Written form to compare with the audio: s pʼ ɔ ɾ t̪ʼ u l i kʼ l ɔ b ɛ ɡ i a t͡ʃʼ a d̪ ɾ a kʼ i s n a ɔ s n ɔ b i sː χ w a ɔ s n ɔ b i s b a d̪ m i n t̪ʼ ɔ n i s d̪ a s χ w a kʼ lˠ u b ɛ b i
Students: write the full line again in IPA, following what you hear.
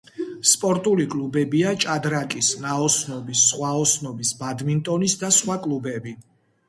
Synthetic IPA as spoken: s pʼ ɔ ɾ t̪ʼ u l i kʼ l u b ɛ b i a t͡ʃʼ a d̪ ɾ a kʼ i s n a ɔ s n ɔ b i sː χ w a ɔ s n ɔ b i s b a d̪ m i n t̪ʼ ɔ n i s d̪ a s χ w a kʼ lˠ u b ɛ b i